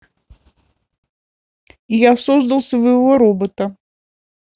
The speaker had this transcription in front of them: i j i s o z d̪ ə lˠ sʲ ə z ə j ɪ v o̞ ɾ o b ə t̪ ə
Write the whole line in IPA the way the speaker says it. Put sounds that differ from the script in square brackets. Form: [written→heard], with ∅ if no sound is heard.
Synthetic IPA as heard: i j [i→a] s o z d̪ ə lˠ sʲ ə [z→v] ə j ɪ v o̞ ɾ o b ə t̪ ə